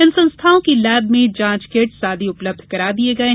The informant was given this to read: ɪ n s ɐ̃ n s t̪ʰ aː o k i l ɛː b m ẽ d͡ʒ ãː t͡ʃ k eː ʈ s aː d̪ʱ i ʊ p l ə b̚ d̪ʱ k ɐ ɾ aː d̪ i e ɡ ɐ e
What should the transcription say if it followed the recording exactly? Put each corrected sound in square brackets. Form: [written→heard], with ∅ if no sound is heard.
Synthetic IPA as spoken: ɪ n s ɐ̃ n s t̪ʰ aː [o→õ] k i l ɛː b m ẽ d͡ʒ ãː t͡ʃ k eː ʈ s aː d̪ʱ i ʊ p l ə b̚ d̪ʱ k ɐ ɾ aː d̪ i e ɡ ɐ e